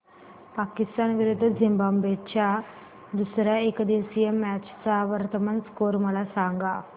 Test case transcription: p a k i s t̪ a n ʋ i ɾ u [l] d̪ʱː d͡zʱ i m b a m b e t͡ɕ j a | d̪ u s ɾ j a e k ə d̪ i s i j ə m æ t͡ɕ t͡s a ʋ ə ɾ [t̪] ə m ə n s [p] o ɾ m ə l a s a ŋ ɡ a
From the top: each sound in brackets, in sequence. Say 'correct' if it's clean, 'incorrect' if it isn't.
incorrect: none, correct, incorrect: k

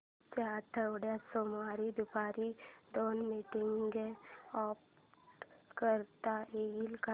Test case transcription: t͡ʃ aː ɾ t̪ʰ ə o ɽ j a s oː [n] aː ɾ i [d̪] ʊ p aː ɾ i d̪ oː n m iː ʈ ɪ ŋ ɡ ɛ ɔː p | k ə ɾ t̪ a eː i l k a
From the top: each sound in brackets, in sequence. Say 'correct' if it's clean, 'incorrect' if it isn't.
incorrect: m, correct

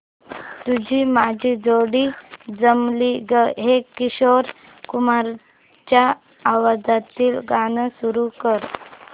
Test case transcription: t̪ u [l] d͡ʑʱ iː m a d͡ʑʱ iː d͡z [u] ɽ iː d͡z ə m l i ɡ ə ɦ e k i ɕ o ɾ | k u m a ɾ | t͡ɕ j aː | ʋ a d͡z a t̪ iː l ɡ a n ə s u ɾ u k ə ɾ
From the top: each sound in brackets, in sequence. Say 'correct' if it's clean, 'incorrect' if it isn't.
incorrect: none, incorrect: o

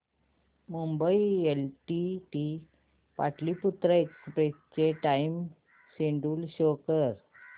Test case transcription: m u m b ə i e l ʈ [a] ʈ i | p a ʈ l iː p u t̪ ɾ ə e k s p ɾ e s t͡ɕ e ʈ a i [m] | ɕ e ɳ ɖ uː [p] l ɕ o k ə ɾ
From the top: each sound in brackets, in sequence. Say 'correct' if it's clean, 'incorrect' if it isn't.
incorrect: i, correct, incorrect: none

